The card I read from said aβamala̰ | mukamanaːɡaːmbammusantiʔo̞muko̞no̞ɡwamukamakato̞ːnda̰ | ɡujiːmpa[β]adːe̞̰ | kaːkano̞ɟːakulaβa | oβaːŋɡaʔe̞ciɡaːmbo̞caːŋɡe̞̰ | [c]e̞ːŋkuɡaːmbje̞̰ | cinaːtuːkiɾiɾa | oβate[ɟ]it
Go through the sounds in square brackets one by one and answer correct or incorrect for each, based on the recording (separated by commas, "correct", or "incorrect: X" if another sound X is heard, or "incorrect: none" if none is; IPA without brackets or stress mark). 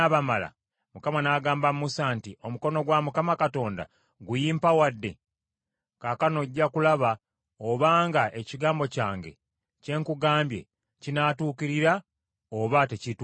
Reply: incorrect: w, correct, incorrect: c